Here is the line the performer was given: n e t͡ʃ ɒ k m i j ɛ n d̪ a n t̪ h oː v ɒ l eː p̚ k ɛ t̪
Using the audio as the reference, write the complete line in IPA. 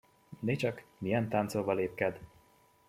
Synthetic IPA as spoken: n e t͡ʃ ɒ k m i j ɛ n t̪ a n t̪ s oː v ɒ l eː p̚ k ɛ d̪